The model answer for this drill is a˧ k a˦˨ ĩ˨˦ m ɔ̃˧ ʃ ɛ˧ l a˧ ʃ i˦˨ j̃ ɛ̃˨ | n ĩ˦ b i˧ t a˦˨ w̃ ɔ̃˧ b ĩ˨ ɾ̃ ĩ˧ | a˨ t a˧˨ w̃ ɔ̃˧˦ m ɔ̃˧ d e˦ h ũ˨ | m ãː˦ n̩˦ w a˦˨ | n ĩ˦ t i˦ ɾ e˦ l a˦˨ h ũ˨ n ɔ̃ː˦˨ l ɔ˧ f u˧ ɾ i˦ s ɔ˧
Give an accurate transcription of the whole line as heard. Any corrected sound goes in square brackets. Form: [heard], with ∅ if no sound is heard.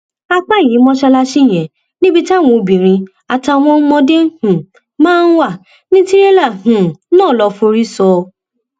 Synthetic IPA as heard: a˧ [k͡p] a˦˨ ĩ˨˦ m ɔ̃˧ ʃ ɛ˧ l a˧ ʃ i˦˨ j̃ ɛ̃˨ | n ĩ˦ b i˧ t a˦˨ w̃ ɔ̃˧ b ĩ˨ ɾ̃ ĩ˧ | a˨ t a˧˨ w̃ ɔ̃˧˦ m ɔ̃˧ d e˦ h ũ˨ | m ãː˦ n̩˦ w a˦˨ | n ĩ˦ t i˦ ɾ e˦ l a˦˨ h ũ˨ n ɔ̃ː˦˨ l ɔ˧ f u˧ ɾ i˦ s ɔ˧